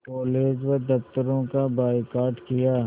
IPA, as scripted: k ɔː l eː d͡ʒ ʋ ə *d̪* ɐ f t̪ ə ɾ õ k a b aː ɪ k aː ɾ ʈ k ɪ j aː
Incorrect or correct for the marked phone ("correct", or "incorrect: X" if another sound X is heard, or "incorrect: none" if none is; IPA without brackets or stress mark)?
correct